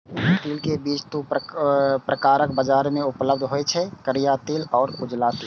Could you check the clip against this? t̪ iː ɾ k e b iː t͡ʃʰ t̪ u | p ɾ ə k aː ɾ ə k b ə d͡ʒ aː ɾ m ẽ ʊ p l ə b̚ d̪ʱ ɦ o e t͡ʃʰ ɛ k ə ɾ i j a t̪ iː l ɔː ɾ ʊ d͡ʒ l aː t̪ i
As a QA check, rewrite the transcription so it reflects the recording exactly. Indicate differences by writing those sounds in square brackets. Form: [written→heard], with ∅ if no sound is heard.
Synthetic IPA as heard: t̪ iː [ɾ→l] k e b iː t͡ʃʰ t̪ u | p ɾ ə k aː ɾ ə k b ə d͡ʒ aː ɾ m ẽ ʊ p l ə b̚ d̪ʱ ɦ o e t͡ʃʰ ɛ k ə ɾ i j a t̪ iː l ɔː ɾ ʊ d͡ʒ l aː t̪ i